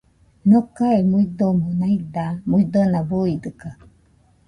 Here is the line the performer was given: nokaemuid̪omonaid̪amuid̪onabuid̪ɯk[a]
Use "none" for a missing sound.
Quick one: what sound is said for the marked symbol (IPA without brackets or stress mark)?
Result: a